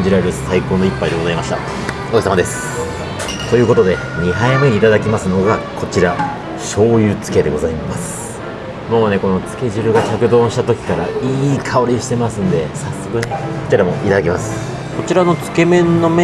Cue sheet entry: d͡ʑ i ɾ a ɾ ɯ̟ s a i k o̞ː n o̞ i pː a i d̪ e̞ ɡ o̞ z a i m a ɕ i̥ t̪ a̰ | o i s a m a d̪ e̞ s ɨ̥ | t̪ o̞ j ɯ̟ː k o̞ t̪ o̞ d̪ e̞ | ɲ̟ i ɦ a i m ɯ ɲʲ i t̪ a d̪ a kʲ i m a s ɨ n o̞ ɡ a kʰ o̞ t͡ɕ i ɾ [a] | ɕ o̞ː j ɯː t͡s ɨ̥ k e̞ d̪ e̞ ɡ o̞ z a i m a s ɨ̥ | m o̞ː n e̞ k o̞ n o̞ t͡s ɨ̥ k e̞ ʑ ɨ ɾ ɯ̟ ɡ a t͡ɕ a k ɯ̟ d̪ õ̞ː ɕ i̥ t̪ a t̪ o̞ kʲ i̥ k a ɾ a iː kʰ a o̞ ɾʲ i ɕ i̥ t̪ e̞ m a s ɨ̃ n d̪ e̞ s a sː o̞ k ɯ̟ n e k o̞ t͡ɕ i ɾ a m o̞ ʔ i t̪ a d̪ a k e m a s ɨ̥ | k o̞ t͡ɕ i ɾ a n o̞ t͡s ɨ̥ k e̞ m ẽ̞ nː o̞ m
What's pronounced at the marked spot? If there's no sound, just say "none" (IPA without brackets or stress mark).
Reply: a